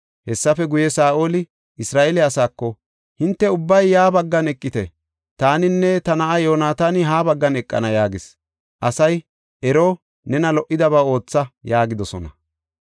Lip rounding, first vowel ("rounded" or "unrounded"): unrounded